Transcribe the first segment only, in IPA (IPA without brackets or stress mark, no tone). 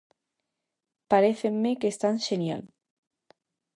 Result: p